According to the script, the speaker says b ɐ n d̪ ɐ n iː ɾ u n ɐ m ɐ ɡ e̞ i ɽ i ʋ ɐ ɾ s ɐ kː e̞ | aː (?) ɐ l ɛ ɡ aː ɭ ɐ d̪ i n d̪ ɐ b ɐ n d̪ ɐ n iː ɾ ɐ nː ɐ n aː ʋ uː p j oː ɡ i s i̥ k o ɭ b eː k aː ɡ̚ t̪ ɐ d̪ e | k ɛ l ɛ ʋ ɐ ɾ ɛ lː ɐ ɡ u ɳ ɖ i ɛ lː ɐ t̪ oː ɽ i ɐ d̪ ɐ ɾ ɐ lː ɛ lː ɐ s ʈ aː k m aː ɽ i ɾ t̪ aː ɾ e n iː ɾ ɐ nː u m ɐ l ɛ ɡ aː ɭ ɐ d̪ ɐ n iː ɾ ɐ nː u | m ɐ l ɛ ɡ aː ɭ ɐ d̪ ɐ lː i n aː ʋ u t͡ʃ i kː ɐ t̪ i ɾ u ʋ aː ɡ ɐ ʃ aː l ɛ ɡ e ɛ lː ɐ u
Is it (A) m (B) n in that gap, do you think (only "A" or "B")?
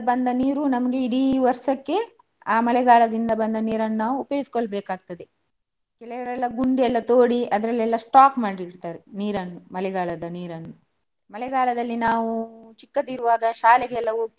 A